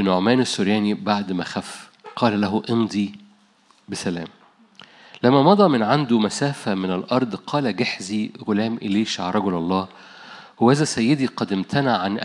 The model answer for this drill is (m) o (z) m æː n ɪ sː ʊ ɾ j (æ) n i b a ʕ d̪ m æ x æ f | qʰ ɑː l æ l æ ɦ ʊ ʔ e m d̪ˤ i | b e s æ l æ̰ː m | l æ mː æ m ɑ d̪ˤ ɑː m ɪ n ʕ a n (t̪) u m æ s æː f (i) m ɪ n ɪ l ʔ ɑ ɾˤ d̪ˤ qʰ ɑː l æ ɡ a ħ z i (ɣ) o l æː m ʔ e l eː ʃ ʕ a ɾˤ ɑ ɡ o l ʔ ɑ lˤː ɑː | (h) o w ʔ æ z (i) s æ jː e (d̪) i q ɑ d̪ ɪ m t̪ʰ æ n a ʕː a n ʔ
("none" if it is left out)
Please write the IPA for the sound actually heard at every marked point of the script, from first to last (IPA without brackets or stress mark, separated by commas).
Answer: n, ʕ, æː, d̪, æ, ɣ, h, æ, d̪